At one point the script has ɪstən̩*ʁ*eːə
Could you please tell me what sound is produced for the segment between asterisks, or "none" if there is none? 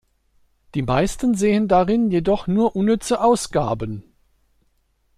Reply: z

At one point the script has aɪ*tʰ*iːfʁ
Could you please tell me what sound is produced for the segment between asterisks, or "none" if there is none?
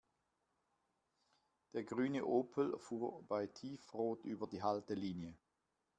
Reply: tʰ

